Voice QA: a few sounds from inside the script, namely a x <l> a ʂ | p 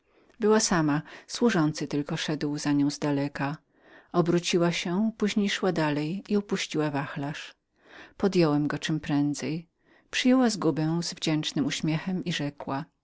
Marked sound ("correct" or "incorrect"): correct